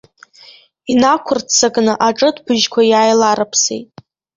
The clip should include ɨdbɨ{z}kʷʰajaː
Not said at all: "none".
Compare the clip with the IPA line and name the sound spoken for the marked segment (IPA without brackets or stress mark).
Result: ʒ